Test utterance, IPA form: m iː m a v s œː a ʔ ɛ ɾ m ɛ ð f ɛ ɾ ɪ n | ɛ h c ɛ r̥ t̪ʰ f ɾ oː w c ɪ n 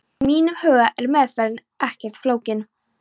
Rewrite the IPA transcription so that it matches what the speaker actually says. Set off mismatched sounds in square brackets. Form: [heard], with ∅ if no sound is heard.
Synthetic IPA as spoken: m iː [n] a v [h] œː a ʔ ɛ ɾ m ɛ ð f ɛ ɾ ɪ n | ɛ h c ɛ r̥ [t̪] f [l] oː w c ɪ n

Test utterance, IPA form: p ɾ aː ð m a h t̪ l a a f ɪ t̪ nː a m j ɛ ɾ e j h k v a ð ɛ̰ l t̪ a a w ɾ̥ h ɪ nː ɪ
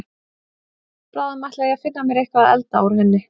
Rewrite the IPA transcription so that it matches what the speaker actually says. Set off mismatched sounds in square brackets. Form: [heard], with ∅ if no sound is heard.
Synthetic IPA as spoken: p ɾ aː ð m a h t̪ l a a f ɪ [∅] nː a m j ɛ ɾ e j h k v a ð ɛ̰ l t̪ a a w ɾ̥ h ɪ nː ɪ

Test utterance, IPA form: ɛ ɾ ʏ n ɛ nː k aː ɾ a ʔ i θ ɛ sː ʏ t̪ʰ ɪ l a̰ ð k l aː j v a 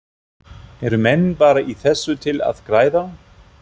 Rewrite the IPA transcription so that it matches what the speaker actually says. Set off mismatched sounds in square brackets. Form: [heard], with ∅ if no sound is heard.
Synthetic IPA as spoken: ɛ ɾ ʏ [m] ɛ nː [p] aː ɾ a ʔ i θ ɛ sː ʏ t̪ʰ ɪ l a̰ ð k [ɾ] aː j [ð] a

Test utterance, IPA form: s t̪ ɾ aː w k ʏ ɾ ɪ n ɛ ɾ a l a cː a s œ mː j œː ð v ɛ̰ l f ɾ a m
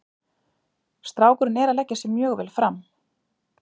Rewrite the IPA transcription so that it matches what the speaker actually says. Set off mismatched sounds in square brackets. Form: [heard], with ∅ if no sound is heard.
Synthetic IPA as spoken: s t̪ ɾ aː w k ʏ ɾ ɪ n ɛ ɾ a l [ɛ] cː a s [ɛ] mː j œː [ɣ] v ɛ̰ l f ɾ a m

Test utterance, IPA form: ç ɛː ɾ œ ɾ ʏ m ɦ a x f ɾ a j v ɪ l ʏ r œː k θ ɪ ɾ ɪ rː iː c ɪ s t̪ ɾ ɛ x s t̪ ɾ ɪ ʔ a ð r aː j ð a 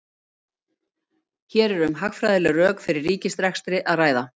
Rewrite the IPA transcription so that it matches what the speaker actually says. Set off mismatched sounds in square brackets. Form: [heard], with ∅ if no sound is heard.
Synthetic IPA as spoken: ç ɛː ɾ [ɛ] ɾ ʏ m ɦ a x f ɾ a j [ð] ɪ l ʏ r œː k [f] ɪ ɾ ɪ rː iː c ɪ s t̪ ɾ ɛ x s t̪ ɾ ɪ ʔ a ð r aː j ð a

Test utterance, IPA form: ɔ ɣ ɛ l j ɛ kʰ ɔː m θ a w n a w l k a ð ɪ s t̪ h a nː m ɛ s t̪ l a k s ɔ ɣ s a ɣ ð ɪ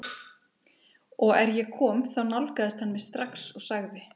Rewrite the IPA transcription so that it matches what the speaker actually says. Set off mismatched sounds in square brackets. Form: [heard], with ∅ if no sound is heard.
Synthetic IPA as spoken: ɔ ɣ ɛ [ɾ] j ɛ kʰ ɔː m θ a w n a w l k a ð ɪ s t̪ h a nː m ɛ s t̪ [ɾ] a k s ɔ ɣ s a ɣ ð ɪ

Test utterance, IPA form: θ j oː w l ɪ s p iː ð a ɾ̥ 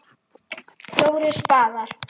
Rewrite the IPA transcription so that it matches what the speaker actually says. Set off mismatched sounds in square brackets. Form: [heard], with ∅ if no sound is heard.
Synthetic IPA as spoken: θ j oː w [ɾ] ɪ s p [aː] ð a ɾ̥

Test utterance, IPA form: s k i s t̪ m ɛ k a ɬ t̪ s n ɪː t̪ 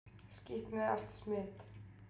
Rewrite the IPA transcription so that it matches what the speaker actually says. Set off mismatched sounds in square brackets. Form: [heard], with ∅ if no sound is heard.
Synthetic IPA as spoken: s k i [h] t̪ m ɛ [∅] a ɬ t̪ s [m] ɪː t̪

